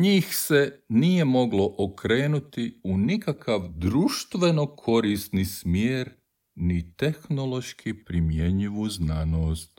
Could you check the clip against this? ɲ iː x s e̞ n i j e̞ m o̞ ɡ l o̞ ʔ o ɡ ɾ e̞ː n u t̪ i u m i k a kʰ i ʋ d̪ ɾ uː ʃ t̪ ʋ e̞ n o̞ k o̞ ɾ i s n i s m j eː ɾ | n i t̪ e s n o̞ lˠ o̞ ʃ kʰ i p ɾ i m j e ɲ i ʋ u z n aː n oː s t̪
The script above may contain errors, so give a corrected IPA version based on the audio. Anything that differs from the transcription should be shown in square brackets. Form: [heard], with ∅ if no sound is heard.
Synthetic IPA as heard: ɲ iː x s e̞ n i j e̞ m o̞ ɡ l o̞ ʔ o [k] ɾ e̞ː n u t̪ i u [n] i k a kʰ [a] ʋ d̪ ɾ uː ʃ t̪ ʋ e̞ n o̞ [kʰ] o̞ ɾ i s n i s m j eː ɾ | n i t̪ e [x] n o̞ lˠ o̞ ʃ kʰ i p ɾ i m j e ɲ i ʋ u z n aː n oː s t̪